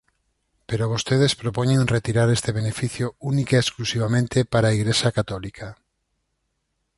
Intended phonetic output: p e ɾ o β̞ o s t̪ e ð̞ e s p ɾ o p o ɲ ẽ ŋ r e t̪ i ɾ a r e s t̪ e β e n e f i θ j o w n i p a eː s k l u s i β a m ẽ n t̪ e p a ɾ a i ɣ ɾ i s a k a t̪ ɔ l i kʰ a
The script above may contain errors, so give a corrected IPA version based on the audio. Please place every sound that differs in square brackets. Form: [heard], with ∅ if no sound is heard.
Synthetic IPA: p e ɾ o β̞ o s t̪ e ð̞ e s p ɾ o p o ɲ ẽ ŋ r e t̪ i ɾ a [ɾ] e s t̪ e β e n e f i θ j o [u] n i [k] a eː s k l u s i β a m ẽ n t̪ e p a ɾ a i ɣ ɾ [e] s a k a t̪ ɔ l i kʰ a